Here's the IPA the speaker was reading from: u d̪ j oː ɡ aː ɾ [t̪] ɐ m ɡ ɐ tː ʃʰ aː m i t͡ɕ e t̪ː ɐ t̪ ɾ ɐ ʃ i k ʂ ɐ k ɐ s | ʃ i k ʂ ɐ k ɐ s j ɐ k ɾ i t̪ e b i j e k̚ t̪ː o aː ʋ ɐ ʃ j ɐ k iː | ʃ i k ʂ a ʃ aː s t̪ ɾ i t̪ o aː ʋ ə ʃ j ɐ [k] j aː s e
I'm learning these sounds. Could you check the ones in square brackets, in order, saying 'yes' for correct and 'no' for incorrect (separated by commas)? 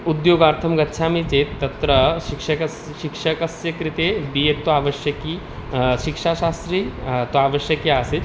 no, yes